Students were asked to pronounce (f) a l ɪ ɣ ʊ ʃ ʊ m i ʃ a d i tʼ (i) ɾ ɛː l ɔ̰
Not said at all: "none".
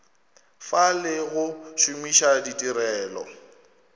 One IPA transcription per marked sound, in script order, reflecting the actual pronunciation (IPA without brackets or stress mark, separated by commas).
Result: f, i